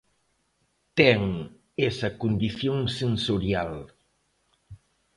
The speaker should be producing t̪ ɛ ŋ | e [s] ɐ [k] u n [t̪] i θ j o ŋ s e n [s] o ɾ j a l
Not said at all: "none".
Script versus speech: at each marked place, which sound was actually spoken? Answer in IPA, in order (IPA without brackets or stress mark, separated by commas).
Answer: s, k, d̪, s